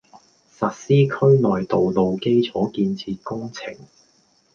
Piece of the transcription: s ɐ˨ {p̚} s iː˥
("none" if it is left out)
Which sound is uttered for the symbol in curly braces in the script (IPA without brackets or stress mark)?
t̚